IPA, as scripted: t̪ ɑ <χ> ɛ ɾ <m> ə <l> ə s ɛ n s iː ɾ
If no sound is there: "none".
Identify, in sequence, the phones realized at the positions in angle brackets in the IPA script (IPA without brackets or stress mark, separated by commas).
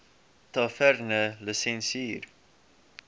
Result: f, n, l